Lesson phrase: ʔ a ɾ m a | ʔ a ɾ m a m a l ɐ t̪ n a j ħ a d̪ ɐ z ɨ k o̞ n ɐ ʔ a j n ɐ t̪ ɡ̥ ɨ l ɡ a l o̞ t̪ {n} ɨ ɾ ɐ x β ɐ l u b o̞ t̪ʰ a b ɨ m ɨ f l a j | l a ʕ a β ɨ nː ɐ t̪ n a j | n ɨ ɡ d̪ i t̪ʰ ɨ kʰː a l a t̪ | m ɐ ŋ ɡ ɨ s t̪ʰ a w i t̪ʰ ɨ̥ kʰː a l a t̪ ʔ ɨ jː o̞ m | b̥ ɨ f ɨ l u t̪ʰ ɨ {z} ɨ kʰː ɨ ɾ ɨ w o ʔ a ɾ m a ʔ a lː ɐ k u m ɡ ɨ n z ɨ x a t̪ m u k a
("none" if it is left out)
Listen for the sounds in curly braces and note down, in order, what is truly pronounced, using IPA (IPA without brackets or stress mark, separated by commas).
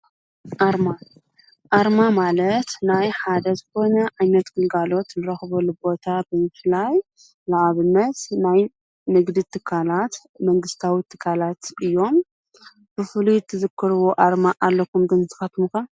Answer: n, z